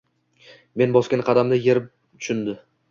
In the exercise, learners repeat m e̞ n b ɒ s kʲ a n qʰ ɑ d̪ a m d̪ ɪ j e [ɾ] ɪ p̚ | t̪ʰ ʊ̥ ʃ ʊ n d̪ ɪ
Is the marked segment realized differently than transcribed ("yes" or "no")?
no